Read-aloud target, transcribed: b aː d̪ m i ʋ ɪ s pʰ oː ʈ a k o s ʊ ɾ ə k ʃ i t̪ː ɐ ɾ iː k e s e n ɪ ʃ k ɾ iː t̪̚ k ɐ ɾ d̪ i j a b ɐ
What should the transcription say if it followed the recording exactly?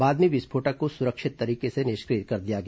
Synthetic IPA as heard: b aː d̪ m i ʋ ɪ s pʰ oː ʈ a k o s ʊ ɾ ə k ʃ ɪ t̪ː ɐ ɾ iː k e s e n ɪ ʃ k ɾ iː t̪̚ k ɐ ɾ d̪ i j a ɡ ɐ